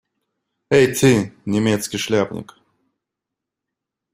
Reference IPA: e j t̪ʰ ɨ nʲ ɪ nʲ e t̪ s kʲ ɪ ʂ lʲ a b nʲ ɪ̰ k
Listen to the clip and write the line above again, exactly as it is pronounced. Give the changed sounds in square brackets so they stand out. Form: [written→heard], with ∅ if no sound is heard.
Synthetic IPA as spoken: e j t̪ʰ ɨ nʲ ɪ [nʲ→mʲ] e t̪ s kʲ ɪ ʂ lʲ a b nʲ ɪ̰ k